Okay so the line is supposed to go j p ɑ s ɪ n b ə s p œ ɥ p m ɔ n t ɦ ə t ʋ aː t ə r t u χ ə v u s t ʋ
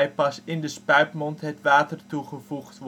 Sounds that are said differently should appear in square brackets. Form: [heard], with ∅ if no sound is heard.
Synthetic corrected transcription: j p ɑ s ɪ n [d] ə s p œ ɥ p m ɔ n t ɦ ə t ʋ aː t ə r t u χ ə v u [χ] t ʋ